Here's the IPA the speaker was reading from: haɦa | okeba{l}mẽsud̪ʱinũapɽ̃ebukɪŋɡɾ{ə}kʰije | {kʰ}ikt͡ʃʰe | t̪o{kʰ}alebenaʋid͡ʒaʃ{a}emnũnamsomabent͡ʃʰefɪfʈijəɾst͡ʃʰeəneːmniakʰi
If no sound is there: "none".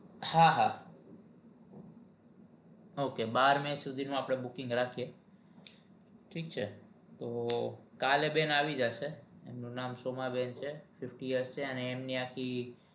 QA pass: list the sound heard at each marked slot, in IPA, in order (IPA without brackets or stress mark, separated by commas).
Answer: ɾ, a, ʈʰ, k, e